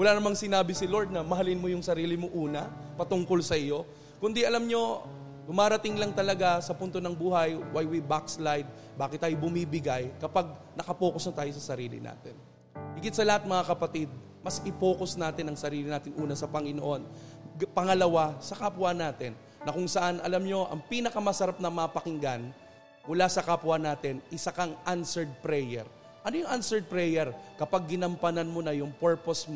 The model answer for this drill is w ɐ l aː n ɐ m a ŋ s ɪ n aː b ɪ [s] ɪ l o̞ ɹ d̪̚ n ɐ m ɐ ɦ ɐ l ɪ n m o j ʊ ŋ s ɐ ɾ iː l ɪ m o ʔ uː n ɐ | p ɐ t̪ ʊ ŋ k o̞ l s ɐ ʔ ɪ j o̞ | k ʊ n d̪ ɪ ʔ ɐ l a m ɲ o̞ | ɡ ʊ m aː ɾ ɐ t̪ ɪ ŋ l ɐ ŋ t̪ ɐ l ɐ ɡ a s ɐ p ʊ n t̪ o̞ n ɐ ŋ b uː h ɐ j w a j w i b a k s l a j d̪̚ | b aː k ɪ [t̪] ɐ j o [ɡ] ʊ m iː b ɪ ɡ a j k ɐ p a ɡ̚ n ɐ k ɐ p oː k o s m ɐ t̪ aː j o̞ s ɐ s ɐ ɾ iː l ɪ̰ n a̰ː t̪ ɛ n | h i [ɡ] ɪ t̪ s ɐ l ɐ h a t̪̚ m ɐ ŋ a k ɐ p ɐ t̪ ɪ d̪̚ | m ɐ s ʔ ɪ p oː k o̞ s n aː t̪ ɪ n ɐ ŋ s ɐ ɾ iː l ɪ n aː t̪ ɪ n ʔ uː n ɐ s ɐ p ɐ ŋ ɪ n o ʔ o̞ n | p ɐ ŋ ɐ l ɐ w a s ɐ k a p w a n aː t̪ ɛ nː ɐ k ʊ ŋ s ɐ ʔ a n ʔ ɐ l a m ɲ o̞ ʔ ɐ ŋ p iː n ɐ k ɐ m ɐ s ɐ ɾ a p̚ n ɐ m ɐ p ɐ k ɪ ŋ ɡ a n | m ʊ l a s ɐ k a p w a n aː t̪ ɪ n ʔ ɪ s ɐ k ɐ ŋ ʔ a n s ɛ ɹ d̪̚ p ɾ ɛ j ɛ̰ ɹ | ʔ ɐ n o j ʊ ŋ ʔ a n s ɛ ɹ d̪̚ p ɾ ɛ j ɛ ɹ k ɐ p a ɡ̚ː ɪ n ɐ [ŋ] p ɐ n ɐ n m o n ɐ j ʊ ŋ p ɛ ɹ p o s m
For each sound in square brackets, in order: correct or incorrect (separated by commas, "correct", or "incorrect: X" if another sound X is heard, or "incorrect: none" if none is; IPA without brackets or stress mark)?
correct, correct, incorrect: b, correct, incorrect: m